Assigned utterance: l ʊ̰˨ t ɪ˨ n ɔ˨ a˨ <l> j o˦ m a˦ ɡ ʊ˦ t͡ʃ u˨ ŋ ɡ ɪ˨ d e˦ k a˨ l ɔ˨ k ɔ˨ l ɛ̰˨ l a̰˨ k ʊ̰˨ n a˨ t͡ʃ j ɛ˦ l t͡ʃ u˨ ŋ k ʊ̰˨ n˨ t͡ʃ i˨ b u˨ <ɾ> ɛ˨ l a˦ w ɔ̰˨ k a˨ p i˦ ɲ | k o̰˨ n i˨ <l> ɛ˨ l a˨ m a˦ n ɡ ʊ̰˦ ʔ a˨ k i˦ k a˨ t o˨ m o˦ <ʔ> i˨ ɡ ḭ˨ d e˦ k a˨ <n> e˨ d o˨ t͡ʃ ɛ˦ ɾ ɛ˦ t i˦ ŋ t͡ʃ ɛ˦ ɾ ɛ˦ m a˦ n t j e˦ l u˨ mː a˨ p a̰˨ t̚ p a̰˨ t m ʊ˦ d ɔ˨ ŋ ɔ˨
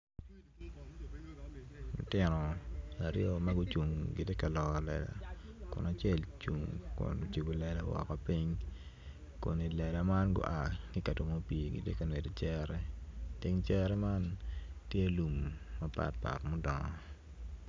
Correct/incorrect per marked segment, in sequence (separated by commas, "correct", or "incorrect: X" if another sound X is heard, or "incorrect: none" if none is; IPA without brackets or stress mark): incorrect: ɾ, incorrect: l, correct, incorrect: p, correct